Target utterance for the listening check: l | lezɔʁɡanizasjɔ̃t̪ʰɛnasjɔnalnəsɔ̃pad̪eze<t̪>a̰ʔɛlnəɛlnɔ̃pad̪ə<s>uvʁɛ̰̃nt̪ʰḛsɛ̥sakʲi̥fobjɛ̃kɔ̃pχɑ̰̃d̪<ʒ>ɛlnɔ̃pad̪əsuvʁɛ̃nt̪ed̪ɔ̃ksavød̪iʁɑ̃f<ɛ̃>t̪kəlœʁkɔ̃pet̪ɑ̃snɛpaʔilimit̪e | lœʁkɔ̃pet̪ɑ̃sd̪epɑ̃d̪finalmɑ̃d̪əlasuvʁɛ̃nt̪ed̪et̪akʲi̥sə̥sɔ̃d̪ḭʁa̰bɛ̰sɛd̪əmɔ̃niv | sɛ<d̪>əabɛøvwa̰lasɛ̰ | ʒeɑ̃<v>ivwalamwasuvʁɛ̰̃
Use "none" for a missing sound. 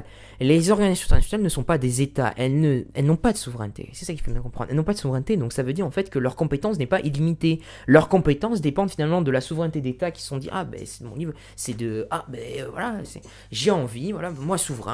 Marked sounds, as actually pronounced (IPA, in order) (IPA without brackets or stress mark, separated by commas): t̪, s, ʁ, ɛ, d̪, v